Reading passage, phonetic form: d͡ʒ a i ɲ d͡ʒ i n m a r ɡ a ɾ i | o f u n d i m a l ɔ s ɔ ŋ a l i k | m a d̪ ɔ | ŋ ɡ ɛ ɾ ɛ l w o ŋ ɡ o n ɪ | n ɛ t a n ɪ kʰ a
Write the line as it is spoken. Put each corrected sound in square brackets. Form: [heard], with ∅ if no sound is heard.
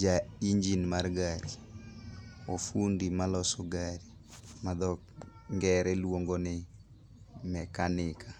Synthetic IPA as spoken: d͡ʒ a i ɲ d͡ʒ i n m a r ɡ a ɾ i | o f u n d i m a l ɔ s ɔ [ɡ] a [ɾ] i [∅] | m a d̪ ɔ | ŋ ɡ ɛ ɾ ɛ l w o ŋ ɡ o n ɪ | [m] ɛ [k] a n ɪ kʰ a